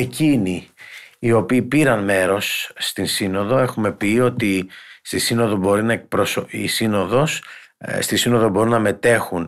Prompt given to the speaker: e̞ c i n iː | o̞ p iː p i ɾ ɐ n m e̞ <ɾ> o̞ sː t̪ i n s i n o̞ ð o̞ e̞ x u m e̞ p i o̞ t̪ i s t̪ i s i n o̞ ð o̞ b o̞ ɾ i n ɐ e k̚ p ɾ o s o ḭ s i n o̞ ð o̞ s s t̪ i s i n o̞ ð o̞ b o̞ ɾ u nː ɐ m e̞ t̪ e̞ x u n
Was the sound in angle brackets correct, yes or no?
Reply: yes